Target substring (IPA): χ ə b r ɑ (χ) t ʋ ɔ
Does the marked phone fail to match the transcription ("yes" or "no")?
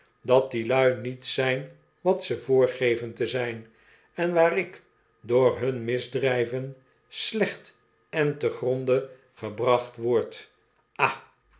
no